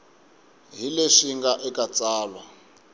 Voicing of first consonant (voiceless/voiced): voiced